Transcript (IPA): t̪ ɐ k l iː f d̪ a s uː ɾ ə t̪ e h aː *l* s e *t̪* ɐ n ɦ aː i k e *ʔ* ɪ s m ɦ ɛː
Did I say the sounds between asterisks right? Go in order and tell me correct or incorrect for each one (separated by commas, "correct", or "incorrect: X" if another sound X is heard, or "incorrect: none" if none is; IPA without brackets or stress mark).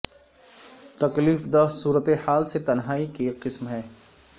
correct, correct, incorrect: q